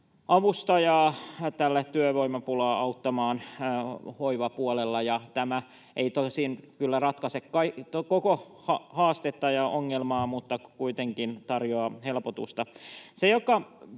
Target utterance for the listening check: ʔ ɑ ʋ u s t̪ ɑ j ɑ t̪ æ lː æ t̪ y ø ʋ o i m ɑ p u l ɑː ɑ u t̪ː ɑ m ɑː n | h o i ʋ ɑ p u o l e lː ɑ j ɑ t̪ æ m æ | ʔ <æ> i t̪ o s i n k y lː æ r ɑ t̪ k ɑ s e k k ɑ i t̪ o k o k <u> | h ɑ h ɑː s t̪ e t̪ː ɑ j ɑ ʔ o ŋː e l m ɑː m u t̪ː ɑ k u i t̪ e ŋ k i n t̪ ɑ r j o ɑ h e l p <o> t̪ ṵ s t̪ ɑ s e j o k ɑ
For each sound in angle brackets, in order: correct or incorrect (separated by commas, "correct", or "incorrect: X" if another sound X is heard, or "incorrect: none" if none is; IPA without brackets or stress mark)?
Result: incorrect: e, incorrect: o, correct